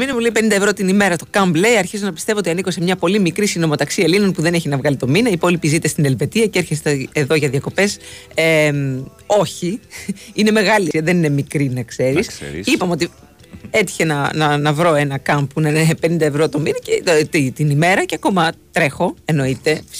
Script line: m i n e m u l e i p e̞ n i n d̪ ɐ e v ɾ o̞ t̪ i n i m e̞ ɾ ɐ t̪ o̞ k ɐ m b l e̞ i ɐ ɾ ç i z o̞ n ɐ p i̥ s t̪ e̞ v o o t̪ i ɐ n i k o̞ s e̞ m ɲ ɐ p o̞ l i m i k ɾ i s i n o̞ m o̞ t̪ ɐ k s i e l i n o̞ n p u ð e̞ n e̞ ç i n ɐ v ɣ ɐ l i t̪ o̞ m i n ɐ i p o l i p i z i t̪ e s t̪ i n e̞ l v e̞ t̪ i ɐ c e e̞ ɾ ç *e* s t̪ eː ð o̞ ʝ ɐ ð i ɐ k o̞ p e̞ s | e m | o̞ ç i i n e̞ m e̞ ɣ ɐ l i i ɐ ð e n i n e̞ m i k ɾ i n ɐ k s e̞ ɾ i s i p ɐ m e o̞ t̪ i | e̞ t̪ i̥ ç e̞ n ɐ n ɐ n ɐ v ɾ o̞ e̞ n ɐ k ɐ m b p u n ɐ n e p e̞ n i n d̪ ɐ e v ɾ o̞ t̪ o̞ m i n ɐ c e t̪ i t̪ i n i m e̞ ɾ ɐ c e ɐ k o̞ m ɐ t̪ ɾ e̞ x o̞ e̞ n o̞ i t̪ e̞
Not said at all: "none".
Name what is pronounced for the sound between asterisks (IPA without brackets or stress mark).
e